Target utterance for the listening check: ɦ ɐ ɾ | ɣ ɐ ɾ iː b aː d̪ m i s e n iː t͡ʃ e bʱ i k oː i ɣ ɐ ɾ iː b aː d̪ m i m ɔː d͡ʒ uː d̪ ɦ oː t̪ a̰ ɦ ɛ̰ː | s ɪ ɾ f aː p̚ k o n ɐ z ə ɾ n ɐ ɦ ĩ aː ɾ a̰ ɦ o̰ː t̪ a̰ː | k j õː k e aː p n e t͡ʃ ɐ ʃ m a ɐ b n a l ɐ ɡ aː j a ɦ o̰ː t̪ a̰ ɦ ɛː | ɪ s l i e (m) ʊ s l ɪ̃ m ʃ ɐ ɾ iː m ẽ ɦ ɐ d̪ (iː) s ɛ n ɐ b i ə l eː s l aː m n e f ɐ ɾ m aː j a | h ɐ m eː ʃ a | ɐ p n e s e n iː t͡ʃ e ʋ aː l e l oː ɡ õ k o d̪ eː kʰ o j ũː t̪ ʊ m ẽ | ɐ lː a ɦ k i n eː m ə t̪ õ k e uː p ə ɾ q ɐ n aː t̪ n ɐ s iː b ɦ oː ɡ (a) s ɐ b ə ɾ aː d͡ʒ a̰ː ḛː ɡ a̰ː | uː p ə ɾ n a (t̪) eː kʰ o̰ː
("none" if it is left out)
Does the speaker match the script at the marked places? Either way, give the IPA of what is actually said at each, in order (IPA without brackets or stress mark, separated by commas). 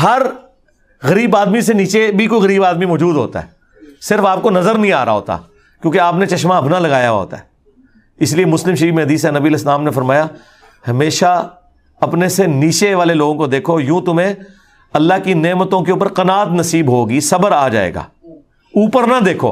m, iː, i, d̪